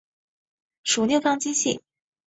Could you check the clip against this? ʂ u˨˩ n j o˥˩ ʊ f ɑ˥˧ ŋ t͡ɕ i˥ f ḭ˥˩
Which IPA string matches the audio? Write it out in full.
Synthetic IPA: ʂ u˨˩ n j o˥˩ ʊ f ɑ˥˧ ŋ t͡ɕ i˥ ɕ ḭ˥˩

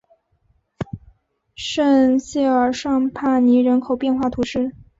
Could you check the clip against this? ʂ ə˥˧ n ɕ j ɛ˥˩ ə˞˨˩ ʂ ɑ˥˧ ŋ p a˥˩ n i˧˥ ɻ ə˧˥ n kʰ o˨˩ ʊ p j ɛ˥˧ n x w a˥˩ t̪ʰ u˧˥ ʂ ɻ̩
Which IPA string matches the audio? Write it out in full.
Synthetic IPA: ʂ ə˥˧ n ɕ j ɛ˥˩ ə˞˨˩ ʂ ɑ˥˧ ŋ pʰ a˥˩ n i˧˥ ɻ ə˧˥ n kʰ o˨˩ ʊ p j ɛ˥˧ n x w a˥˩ t̪ʰ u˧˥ ʂ ɻ̩

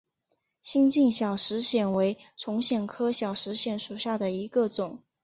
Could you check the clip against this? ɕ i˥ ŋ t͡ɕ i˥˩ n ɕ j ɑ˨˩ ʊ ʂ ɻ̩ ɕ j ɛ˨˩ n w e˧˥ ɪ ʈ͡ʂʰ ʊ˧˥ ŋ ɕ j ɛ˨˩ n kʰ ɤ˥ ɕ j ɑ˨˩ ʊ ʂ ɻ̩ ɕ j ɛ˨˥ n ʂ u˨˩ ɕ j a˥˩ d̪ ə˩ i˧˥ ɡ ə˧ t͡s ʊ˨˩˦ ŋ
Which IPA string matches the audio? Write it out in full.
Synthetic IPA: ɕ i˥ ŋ t͡ɕ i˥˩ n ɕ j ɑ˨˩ ʊ ʂ ɻ̩ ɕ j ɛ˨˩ n w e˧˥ ɪ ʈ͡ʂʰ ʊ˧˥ ŋ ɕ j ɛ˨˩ n kʰ ɤ˥ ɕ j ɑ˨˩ ʊ ʂ ɻ̩ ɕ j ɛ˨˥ n ʂ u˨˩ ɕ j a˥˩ d̪ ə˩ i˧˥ ɡ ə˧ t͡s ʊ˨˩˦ ŋ

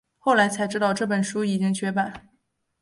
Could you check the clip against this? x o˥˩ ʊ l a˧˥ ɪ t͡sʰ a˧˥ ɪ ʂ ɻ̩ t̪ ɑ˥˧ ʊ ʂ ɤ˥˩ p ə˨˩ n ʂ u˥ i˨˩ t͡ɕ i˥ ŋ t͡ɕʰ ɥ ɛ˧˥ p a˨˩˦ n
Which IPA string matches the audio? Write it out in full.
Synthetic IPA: x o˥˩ ʊ l a˧˥ ɪ t͡sʰ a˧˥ ɪ ʈ͡ʂ ɻ̩ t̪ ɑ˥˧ ʊ ʈ͡ʂ ɤ˥˩ p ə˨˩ n ʂ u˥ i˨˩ t͡ɕ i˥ ŋ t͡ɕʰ ɥ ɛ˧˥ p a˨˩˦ n

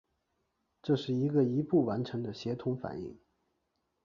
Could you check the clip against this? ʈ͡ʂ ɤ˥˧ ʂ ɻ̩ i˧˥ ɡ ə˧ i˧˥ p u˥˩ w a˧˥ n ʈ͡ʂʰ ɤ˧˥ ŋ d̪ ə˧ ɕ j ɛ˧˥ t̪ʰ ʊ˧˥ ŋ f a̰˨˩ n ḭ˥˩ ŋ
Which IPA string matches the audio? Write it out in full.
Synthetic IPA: ʈ͡ʂ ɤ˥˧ ʂ ɻ̩ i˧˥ ɡ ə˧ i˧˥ p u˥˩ w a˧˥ n ʈ͡ʂʰ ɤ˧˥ ŋ d̪ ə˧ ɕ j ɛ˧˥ t̪ʰ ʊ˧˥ ŋ f a̰˨˩ n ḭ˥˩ ŋ

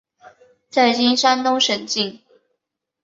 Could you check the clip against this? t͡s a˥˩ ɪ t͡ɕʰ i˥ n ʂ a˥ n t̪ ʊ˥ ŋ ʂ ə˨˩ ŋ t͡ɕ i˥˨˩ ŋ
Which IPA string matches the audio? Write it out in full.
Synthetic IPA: t͡s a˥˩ ɪ t͡ɕ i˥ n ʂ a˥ n t̪ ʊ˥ ŋ ʂ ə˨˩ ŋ t͡ɕ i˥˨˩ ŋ

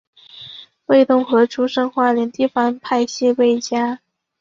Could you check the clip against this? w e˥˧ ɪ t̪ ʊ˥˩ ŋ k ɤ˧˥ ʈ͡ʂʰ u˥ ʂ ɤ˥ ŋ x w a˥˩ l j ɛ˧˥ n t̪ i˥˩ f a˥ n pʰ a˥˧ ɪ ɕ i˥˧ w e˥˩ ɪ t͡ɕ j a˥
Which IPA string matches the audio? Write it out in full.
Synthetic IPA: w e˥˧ ɪ t̪ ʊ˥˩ ŋ x ɤ˧˥ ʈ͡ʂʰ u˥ ʂ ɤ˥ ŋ x w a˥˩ l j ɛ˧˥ n t̪ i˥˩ f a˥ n pʰ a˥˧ ɪ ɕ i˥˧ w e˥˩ ɪ t͡ɕ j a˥

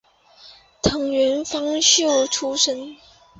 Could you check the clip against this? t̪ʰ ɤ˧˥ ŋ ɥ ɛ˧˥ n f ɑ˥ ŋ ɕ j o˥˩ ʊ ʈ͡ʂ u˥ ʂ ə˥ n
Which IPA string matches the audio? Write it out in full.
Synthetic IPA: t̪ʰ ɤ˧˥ ŋ ɥ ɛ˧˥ n f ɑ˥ ŋ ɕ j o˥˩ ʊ ʈ͡ʂʰ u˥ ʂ ə˥ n

